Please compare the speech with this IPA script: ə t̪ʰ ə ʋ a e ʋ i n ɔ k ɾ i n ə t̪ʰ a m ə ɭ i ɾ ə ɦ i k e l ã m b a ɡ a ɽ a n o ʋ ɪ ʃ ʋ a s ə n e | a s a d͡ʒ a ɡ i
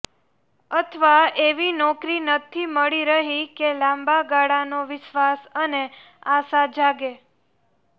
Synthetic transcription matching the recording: ə t̪ʰ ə ʋ a e ʋ i n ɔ k ɾ i n ə t̪ʰ i m ə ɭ i ɾ ə ɦ i k e l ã m b a ɡ a ɽ a n o ʋ ɪ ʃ ʋ a s ə n e | a s a d͡ʒ a ɡ e